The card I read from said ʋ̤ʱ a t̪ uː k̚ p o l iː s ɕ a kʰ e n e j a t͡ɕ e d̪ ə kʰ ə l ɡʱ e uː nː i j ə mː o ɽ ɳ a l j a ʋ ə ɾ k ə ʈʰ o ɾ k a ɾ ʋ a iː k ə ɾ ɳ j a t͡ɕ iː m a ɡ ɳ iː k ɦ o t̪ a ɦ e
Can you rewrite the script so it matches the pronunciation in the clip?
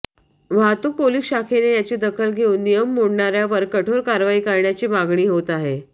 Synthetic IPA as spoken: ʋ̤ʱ a t̪ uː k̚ p o l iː s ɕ a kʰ e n e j a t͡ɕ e d̪ ə kʰ ə l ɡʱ e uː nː i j ə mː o ɽ ɳ a ɾ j a ʋ ə ɾ k ə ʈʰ o ɾ k a ɾ ʋ a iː k ə ɾ ɳ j a t͡ɕ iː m a ɡ ɳ iː ɦ o t̪ a ɦ e